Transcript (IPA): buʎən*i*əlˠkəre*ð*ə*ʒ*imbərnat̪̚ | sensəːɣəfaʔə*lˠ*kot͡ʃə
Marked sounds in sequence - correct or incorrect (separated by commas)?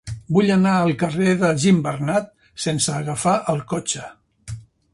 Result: incorrect, correct, correct, correct